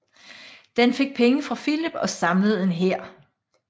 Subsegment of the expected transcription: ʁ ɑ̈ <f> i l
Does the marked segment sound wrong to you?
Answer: no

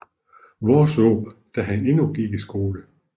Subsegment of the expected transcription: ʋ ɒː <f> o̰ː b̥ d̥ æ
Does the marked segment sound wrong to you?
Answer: yes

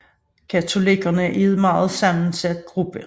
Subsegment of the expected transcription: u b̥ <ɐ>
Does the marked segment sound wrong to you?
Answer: yes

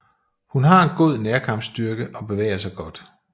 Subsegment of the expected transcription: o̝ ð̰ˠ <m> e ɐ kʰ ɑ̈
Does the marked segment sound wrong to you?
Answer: yes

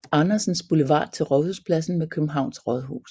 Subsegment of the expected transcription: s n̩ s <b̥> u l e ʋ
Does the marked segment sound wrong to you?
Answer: no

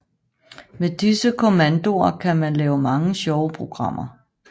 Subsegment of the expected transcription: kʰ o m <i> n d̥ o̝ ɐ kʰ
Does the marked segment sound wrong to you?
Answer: yes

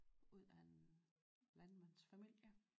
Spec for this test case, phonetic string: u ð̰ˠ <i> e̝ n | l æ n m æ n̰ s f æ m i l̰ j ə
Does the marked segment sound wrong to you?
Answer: yes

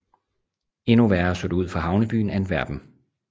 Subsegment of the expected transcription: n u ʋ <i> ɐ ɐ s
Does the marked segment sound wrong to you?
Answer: yes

